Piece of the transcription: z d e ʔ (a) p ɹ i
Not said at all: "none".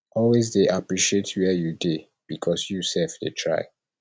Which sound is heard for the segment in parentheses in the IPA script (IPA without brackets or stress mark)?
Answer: a